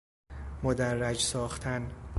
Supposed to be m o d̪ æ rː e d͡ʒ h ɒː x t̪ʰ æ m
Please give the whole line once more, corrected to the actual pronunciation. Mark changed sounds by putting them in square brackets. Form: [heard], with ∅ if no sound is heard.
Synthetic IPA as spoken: m o d̪ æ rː [æ] d͡ʒ [s] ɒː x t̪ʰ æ [n]